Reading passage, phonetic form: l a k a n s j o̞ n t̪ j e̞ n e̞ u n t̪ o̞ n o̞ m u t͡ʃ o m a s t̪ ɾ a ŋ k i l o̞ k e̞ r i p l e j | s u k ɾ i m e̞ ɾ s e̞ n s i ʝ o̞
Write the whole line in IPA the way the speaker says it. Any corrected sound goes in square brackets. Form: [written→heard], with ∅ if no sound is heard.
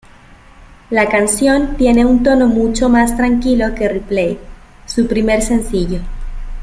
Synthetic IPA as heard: l a k a n s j o̞ n t̪ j e̞ n e̞ u n t̪ o̞ n o̞ m u t͡ʃ o m a s t̪ ɾ a ŋ k i l o̞ k e̞ r i p l e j | s u [k→p] ɾ i m e̞ ɾ s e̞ n s i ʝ o̞